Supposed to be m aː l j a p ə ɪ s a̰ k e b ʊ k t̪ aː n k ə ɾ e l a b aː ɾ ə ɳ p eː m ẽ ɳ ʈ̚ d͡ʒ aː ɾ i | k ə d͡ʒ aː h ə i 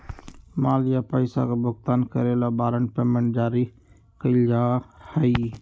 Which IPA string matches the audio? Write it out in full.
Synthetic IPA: m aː l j a p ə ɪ s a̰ k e b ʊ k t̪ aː n k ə ɾ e l a b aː ɾ ə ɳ p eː m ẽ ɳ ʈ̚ d͡ʒ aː ɾ i | k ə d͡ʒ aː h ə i